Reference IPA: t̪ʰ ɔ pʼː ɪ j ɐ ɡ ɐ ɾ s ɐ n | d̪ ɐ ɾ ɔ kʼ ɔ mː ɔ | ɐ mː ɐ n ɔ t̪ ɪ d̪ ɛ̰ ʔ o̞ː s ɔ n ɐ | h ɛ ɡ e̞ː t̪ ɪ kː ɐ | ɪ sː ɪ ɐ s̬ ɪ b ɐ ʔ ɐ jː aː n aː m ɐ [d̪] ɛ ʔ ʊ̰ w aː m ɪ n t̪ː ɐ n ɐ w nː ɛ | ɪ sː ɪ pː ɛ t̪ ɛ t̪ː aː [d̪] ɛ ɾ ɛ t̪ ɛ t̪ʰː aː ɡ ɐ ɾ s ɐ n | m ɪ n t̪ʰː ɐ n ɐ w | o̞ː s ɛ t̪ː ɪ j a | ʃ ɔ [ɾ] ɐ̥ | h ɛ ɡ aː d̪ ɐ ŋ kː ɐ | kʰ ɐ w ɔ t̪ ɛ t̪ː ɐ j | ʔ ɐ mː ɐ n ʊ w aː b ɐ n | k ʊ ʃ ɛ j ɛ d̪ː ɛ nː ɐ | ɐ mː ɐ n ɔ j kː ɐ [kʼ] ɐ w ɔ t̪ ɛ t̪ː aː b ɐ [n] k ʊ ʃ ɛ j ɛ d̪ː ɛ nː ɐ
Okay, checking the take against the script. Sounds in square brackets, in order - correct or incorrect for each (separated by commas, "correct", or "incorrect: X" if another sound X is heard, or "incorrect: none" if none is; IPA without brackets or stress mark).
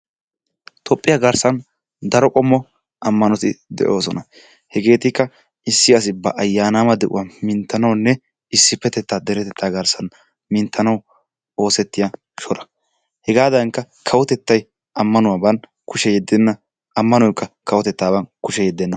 correct, correct, correct, incorrect: k, correct